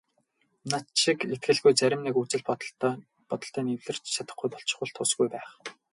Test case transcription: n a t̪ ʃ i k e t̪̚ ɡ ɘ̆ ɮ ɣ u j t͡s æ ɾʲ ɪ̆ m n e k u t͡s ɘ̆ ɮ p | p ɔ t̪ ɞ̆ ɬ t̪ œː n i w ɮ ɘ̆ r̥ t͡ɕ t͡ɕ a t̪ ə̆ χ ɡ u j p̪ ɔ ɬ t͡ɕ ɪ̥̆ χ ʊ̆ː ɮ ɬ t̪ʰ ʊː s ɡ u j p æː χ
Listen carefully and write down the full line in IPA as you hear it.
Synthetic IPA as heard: n a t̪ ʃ i k e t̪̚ ɡ ɘ̆ ɮ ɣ u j t͡s æ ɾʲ ɪ̆ m n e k u t͡s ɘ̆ ɮ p | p ɔ t̪ ɞ̆ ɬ t̪ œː n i w ɮ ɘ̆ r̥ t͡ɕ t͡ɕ a t̪ ə̆ χ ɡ u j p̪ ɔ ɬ t͡ɕ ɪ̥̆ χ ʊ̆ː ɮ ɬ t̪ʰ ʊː s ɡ u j p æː χ

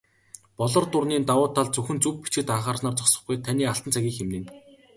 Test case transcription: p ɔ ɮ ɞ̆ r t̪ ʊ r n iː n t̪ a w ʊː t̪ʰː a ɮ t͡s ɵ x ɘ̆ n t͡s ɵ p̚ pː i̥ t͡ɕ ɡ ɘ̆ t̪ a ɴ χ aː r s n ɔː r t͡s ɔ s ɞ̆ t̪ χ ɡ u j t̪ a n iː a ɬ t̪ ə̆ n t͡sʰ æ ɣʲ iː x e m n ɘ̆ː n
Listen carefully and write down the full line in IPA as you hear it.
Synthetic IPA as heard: p ɔ ɮ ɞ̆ r t̪ ʊ r n iː n t̪ a w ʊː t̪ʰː a ɮ t͡s ɵ x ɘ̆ n t͡s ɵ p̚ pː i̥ t͡ɕ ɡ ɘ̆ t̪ a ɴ χ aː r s n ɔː r t͡s ɔ s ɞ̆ χ ɡ u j t̪ʰ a n iː a ɬ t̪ ə̆ n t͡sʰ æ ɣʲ iː x e m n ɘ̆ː n

